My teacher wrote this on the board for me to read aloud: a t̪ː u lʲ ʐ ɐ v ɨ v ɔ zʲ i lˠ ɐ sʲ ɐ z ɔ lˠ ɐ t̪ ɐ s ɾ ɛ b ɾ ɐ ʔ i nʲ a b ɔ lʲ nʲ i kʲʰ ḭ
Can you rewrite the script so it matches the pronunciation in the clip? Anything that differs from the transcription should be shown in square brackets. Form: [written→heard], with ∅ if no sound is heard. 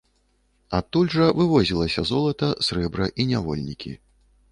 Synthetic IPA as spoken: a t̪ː u lʲ ʐ ɐ v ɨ v ɔ zʲ i lˠ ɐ sʲ ɐ z ɔ lˠ ɐ t̪ ɐ s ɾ ɛ b ɾ ɐ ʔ i nʲ a [b→v] ɔ lʲ nʲ i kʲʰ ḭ

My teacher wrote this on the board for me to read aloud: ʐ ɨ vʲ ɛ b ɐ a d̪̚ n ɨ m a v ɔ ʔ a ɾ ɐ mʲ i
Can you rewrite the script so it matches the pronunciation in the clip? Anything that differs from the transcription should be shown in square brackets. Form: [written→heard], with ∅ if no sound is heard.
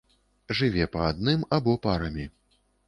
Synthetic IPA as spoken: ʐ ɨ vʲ ɛ [b→p] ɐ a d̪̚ n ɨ m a [v→b] ɔ [ʔ→p] a ɾ ɐ mʲ i

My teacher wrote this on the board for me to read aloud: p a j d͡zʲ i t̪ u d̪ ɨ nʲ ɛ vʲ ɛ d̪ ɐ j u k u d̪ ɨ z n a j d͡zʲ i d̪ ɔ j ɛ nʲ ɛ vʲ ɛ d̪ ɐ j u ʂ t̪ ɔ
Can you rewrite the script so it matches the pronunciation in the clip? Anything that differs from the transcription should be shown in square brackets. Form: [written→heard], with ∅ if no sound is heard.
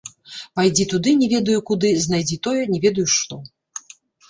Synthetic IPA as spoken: p a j d͡zʲ i t̪ u d̪ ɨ nʲ ɛ vʲ ɛ d̪ ɐ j u k u d̪ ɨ z n a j d͡zʲ i [d̪→t̪] ɔ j ɛ nʲ ɛ vʲ ɛ d̪ ɐ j u ʂ t̪ ɔ

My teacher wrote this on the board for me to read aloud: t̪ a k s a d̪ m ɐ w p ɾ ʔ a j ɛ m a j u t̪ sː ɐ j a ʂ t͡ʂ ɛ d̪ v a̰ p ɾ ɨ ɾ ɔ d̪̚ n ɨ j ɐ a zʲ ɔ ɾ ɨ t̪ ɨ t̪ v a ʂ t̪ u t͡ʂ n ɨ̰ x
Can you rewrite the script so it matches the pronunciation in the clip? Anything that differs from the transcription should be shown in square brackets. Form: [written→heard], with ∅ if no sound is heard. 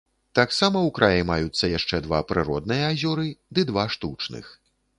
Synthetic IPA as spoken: t̪ a k s a [d̪→∅] m ɐ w [p→k] ɾ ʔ a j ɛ m a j u t̪ sː ɐ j a ʂ t͡ʂ ɛ d̪ v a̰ p ɾ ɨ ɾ ɔ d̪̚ n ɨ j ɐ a zʲ ɔ ɾ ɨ [t̪→d̪] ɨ [t̪→d̪] v a ʂ t̪ u t͡ʂ n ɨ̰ x

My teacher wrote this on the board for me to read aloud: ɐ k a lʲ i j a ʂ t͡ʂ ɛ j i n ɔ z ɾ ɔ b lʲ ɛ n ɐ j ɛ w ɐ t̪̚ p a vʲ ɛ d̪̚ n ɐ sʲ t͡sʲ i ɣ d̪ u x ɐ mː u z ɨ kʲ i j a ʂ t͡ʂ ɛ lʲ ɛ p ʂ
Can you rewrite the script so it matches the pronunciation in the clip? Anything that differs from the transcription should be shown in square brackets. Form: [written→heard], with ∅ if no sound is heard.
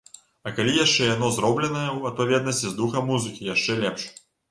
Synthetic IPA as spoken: ɐ k a lʲ i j a ʂ t͡ʂ ɛ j [i→a] n ɔ z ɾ ɔ b lʲ ɛ n ɐ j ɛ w ɐ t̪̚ p a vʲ ɛ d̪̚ n ɐ sʲ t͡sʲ i [ɣ→z] d̪ u x ɐ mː u z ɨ kʲ i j a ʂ t͡ʂ ɛ lʲ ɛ p ʂ

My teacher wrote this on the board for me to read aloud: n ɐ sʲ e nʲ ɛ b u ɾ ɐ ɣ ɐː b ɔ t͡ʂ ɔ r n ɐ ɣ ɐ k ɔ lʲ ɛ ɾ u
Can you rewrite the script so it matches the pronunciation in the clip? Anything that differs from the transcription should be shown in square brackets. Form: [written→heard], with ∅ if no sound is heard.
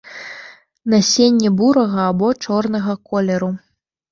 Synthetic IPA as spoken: n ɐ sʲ e [nʲ→nʲː] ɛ b u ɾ ɐ ɣ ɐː b ɔ t͡ʂ ɔ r n ɐ ɣ ɐ k ɔ lʲ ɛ ɾ u

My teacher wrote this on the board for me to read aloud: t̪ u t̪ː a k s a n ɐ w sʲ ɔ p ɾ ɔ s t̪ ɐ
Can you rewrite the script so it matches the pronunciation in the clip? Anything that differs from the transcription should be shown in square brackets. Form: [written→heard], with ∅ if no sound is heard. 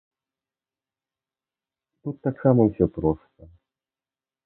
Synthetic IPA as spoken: t̪ u t̪ː a k s a [n→m] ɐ w sʲ ɔ p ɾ ɔ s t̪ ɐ

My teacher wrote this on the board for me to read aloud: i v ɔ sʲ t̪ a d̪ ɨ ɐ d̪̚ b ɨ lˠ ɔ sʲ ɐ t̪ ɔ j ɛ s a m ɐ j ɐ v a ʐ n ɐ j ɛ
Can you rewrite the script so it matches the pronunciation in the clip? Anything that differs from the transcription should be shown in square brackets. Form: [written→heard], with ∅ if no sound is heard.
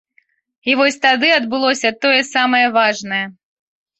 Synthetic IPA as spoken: i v ɔ sʲ t̪ a d̪ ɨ ɐ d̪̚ b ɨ lˠ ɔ sʲ ɐ t̪ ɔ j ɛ s a m ɐ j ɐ v a ʐ n ɐ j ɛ

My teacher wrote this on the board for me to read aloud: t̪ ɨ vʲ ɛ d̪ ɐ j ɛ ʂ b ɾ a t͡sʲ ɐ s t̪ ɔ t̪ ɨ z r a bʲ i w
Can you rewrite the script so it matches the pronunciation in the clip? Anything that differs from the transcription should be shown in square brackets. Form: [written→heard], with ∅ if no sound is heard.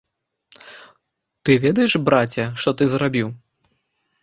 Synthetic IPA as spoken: t̪ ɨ vʲ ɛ d̪ ɐ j ɛ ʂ b ɾ a t͡sʲ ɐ [s→ʂ] t̪ ɔ t̪ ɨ z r a bʲ i w

